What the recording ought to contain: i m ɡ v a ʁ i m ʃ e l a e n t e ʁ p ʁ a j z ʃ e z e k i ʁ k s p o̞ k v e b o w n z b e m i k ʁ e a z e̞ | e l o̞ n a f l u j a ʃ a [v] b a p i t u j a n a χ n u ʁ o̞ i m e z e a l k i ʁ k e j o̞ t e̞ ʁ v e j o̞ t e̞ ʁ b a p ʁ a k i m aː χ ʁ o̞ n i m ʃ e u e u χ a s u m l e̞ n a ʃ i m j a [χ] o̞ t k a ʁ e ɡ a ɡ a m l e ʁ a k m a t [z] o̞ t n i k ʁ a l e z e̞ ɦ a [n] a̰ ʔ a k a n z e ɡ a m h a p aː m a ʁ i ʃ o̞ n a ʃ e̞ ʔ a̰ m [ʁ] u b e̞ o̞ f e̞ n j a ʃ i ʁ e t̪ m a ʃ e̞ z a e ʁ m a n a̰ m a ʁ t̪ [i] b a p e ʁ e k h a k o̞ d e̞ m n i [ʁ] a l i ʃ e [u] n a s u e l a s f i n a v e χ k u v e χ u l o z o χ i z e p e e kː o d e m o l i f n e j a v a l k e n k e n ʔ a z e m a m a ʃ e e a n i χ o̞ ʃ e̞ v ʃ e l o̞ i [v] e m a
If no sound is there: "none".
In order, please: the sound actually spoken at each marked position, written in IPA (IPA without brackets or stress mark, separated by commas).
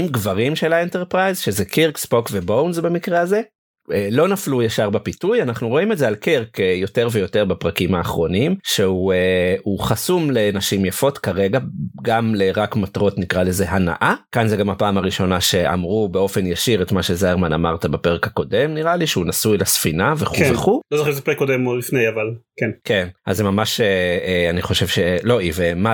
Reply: ʁ, f, ʁ, n, ʁ, a, ʁ, u, v